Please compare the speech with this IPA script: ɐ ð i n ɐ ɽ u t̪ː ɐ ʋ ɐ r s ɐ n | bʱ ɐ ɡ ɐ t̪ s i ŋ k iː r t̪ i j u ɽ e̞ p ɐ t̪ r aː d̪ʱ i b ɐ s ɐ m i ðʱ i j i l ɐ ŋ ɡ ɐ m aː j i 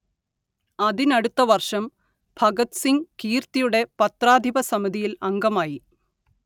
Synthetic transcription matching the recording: ɐ ð i n ɐ ɽ u t̪ː ɐ ʋ ɐ r ʂ ɐ m | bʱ ɐ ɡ ɐ t̪ s i ŋ k iː r t̪ i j u ɽ e̞ p ɐ t̪ r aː d̪ʱ i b ɐ s ɐ m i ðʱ i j i l ɐ ŋ ɡ ɐ m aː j i